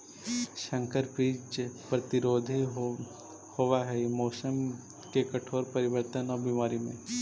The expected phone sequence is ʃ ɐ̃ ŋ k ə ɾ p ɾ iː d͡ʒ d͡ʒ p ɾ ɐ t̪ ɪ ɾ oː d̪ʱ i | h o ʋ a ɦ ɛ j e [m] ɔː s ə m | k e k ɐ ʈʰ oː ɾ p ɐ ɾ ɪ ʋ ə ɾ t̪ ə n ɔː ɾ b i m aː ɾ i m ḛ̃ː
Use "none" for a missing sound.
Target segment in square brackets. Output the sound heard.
m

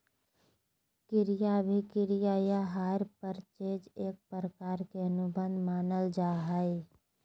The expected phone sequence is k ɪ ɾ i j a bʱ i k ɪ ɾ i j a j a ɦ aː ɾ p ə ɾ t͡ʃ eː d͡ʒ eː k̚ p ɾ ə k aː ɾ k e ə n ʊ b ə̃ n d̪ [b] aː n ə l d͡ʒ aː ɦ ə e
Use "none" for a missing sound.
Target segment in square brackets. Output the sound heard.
m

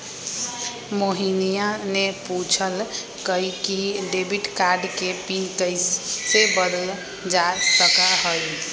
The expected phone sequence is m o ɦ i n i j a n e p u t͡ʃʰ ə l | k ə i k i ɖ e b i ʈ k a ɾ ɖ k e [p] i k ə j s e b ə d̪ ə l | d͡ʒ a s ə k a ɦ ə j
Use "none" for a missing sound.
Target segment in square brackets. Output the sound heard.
p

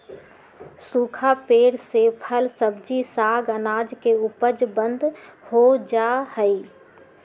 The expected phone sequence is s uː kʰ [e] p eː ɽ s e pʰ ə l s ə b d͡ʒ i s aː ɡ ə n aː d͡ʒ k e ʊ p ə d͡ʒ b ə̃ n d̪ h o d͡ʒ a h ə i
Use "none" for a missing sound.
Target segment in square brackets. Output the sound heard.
a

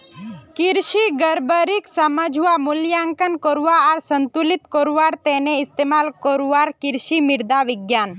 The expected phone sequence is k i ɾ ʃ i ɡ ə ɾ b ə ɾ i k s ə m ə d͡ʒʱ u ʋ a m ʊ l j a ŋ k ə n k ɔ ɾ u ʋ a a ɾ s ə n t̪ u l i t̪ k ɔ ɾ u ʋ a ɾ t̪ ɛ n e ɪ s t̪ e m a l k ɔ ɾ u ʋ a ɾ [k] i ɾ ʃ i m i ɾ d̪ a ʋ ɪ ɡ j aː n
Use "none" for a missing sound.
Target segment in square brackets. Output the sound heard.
k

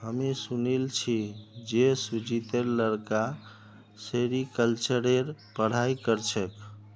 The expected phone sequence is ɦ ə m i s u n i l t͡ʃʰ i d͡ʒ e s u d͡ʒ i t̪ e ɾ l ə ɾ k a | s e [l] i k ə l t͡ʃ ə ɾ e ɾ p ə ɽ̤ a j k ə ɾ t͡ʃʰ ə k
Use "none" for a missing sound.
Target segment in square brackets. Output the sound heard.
ɾ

